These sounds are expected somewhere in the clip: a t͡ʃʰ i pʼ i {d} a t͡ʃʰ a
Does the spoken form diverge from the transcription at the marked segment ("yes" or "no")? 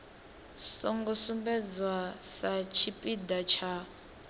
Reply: no